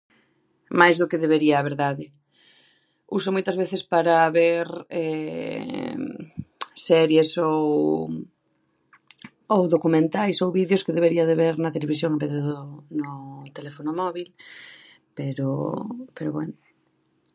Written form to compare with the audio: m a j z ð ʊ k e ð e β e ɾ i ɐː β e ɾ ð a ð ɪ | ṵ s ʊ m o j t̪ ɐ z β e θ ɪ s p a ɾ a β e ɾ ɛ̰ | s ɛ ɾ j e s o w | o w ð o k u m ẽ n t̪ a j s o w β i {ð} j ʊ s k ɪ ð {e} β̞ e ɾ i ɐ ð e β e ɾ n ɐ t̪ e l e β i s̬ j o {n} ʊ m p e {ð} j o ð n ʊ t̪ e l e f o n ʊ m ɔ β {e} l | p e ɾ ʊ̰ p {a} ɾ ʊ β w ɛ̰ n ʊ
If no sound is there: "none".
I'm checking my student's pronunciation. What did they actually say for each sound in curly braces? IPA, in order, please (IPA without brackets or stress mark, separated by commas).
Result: ð, e, ŋ, ð, i, e